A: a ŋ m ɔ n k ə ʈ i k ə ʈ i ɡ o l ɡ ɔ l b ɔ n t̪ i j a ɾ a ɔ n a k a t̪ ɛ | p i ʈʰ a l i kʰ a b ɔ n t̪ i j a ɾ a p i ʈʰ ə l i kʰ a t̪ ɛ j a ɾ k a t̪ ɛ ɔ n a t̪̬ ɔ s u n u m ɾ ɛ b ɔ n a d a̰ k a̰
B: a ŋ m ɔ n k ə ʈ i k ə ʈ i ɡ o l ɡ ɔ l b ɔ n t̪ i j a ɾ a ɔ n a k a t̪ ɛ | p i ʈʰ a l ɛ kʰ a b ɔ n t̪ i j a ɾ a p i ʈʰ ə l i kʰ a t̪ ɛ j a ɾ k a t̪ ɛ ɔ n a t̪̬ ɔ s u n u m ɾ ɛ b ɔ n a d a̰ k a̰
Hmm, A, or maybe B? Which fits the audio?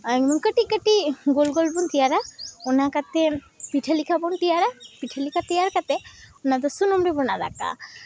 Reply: A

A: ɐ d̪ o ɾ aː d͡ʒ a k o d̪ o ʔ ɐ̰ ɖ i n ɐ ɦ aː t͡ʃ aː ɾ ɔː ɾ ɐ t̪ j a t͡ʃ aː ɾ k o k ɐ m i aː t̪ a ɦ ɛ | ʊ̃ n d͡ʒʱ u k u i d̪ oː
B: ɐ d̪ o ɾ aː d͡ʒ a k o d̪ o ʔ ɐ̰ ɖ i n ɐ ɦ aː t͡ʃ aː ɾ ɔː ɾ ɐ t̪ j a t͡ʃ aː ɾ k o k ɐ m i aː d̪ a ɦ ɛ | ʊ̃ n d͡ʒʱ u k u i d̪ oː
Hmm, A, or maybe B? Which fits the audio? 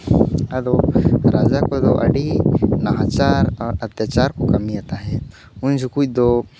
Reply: A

